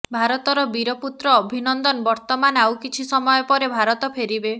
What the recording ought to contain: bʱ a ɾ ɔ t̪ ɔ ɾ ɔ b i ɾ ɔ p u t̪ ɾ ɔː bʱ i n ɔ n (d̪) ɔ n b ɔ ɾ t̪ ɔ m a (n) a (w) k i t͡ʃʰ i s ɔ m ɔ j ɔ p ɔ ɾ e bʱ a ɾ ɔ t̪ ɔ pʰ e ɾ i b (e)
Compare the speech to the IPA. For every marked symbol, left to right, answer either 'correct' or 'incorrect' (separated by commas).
correct, correct, correct, correct